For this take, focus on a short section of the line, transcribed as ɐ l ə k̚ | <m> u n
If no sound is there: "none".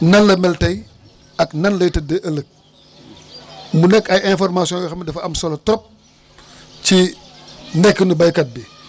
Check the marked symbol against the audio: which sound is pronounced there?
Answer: m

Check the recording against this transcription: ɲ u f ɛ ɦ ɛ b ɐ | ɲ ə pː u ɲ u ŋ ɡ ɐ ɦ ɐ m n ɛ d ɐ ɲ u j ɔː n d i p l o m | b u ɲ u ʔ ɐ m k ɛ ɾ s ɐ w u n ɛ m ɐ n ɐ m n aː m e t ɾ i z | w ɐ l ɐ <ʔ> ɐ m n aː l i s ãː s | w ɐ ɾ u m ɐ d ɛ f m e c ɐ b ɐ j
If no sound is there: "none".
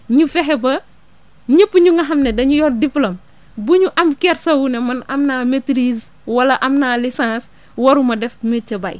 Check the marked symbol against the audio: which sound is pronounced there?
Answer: ʔ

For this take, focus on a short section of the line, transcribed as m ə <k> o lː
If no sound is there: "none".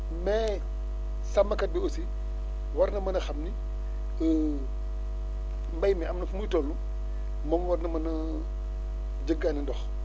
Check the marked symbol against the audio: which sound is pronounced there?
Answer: t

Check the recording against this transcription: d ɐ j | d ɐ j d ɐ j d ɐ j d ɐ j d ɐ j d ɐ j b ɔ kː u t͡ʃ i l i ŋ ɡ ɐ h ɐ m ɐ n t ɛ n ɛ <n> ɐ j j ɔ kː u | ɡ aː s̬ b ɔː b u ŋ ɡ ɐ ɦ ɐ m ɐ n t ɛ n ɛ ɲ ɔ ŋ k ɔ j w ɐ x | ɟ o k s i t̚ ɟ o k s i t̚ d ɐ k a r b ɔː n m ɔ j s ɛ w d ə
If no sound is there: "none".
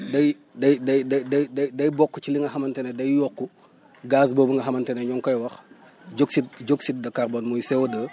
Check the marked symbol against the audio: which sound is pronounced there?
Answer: d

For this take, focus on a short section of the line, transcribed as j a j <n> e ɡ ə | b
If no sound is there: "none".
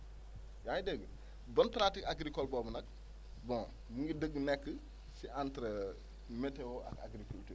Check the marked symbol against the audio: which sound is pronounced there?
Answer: d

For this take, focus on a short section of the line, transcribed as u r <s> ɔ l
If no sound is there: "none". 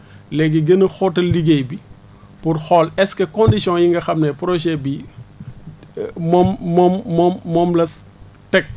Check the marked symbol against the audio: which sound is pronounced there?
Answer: x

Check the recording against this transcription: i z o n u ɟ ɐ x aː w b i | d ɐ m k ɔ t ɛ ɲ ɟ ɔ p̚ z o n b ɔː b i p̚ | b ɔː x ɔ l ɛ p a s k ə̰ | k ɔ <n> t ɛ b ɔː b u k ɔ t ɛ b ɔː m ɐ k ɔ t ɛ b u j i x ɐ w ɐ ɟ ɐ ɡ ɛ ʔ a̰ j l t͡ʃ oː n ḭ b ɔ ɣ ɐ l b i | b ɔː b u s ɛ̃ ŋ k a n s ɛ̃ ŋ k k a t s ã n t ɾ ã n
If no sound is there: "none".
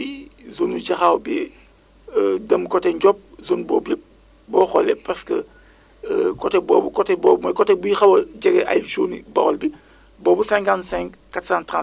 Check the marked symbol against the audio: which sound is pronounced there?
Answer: none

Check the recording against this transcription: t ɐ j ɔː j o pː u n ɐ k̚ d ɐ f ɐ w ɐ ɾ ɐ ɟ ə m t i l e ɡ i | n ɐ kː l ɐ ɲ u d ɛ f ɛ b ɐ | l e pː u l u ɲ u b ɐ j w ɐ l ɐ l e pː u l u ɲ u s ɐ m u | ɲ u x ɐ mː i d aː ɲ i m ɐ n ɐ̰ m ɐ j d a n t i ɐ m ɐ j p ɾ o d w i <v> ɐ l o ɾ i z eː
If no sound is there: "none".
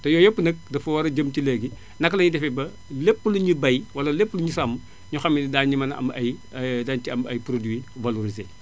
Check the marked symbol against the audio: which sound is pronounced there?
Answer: v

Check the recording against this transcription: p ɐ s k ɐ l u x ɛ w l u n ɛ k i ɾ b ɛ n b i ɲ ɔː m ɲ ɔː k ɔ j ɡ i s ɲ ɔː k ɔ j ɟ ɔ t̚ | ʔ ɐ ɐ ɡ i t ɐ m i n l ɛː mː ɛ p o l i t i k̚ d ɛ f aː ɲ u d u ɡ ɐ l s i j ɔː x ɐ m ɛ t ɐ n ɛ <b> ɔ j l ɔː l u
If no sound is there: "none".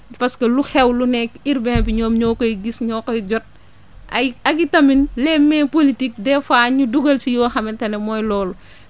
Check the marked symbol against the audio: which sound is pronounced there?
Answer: m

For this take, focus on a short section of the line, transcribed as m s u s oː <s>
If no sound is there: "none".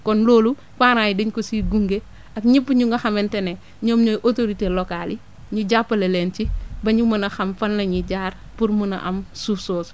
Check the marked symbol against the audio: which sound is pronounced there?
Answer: s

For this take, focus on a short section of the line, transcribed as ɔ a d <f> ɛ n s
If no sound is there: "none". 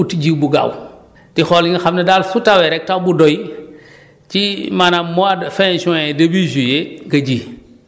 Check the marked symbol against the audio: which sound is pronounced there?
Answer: f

